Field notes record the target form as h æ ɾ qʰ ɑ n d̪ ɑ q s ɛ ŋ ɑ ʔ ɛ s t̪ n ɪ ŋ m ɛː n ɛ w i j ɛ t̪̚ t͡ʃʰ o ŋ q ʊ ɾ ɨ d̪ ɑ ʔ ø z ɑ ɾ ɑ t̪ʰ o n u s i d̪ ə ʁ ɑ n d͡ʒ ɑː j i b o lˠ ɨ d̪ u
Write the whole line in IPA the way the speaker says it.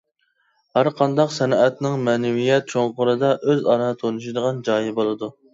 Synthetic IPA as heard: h æ ɾ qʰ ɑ n d̪ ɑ q s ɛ n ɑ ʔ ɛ t̪ n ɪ ŋ m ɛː n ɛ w i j ɛ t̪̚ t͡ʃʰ o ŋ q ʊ ɾ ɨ d̪ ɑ ʔ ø z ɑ ɾ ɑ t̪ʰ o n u ʃ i d̪ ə ʁ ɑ n d͡ʒ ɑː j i b o lˠ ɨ d̪ u